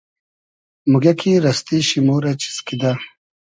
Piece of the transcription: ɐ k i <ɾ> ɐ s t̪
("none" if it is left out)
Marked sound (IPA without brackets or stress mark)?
ɾ